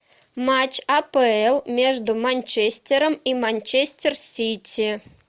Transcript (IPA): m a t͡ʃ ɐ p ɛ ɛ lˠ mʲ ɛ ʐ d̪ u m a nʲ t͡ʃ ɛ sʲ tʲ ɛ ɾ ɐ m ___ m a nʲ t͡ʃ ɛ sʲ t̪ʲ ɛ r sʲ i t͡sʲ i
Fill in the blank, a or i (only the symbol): i